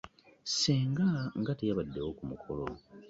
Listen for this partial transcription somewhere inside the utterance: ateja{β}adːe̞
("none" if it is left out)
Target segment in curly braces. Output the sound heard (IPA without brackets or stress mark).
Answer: β